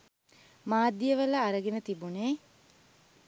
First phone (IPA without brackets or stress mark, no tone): m